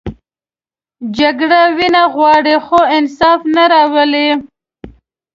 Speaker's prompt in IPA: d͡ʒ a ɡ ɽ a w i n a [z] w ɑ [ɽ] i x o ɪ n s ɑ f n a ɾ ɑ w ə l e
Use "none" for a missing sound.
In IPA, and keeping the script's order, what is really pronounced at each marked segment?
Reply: ɣ, ɽ

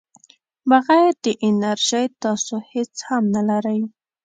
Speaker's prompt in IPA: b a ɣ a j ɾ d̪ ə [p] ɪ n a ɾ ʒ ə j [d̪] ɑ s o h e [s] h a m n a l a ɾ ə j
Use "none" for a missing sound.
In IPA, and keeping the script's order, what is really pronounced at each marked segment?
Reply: ʔ, t̪, t͡s

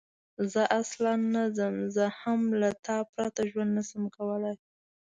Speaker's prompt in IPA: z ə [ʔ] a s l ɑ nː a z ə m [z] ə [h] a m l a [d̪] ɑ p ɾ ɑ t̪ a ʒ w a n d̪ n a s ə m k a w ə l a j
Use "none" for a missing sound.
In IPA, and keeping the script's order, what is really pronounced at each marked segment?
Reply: ʔ, z, h, t̪

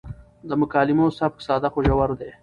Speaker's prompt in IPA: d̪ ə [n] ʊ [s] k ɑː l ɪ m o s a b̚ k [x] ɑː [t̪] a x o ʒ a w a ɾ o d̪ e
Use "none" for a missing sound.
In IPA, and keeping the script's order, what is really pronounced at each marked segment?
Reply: m, none, s, d̪

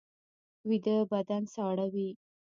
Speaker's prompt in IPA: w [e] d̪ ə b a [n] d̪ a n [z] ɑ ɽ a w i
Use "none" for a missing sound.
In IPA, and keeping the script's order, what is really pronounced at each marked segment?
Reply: i, none, s

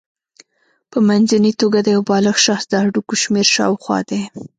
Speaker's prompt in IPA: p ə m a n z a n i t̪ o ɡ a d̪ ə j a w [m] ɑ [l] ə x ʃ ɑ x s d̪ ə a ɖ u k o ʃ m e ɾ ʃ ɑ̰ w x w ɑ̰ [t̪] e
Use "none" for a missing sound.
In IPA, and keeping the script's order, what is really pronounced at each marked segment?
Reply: b, l, d̪

